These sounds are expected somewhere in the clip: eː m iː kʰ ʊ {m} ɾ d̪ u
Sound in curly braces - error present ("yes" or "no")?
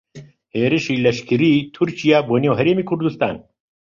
yes